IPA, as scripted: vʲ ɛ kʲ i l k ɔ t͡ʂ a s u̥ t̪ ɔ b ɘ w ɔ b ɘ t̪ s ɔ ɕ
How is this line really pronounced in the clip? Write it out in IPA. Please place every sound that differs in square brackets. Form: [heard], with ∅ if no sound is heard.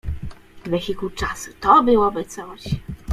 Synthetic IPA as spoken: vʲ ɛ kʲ i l k [u] t͡ʂ a s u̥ t̪ ɔ b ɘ w ɔ b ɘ t̪ s ɔ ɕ